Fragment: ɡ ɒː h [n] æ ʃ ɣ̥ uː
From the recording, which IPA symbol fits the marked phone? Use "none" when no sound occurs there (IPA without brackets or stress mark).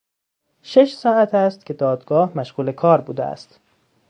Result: m